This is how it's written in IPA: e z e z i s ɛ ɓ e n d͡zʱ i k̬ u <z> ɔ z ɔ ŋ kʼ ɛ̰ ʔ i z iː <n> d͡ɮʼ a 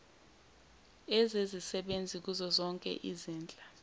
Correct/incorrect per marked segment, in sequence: correct, correct

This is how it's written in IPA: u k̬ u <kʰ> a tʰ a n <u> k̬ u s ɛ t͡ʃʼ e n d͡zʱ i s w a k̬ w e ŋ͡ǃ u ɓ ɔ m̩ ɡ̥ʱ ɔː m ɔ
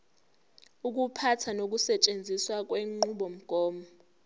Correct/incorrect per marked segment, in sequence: incorrect: pʰ, incorrect: o

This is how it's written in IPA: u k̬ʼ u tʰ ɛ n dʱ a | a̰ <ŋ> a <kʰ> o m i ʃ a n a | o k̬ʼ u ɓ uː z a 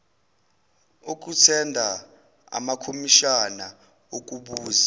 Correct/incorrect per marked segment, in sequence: incorrect: m, correct

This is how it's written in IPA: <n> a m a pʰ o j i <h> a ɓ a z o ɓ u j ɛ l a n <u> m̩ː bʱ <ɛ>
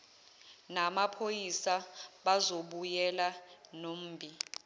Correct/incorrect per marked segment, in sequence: correct, incorrect: s, incorrect: o, incorrect: i

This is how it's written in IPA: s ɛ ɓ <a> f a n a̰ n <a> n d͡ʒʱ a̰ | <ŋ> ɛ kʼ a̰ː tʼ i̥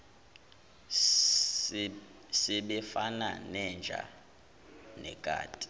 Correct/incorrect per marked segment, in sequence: incorrect: ɛ, incorrect: ɛ, incorrect: n

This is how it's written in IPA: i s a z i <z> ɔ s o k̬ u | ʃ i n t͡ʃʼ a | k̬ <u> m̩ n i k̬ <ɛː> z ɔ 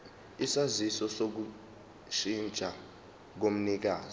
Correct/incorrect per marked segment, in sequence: incorrect: s, incorrect: o, incorrect: aː

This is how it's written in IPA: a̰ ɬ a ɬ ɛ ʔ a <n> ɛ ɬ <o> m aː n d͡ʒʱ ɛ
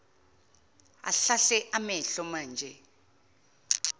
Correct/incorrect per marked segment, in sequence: incorrect: m, incorrect: ɔ

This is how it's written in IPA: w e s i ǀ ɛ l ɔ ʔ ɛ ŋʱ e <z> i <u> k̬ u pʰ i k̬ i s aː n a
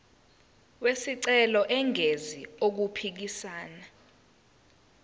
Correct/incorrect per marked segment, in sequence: correct, incorrect: o

